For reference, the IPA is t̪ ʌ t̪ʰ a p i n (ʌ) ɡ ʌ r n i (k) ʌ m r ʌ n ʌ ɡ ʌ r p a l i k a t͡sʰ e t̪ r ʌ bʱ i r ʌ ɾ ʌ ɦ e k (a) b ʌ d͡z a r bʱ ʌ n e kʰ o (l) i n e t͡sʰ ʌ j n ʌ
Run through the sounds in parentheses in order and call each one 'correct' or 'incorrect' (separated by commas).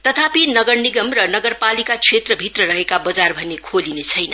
correct, incorrect, correct, correct